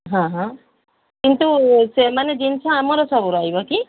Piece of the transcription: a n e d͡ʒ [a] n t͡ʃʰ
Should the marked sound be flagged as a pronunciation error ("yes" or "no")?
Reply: yes